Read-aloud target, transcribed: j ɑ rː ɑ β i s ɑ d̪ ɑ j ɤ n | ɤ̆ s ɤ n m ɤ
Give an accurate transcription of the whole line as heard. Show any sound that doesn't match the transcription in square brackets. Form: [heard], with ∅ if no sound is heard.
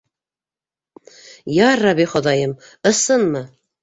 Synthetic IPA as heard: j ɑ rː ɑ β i [χ] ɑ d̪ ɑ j ɤ [m] | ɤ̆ s ɤ n m ɤ